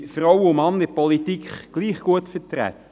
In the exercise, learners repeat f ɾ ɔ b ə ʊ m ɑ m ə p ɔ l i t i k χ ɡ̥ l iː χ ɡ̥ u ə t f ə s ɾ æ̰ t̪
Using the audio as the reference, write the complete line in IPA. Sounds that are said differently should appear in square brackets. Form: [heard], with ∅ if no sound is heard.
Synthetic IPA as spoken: f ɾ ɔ [w] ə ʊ m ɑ [n] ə p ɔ l i t i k χ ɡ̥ l iː χ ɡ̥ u ə t f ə [t] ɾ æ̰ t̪